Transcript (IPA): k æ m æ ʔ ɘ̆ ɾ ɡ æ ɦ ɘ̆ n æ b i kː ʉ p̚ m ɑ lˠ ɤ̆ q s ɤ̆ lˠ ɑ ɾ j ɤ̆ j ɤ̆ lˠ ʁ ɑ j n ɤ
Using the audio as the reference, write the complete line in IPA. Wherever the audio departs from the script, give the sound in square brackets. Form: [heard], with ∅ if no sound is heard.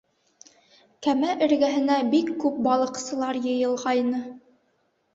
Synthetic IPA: k æ m æ ʔ ɘ̆ ɾ ɡ æ ɦ ɘ̆ n æ b i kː ʉ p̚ [b] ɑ lˠ ɤ̆ q s ɤ̆ lˠ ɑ ɾ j ɤ̆ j ɤ̆ lˠ ʁ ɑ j n ɤ